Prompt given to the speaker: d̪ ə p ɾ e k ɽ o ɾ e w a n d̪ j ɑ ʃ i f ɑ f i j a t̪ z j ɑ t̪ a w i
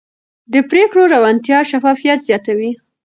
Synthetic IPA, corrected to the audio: d̪ ə p ɾ e k ɽ o ɾ a w a n t̪ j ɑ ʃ a f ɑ f i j a t̪ z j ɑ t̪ a w i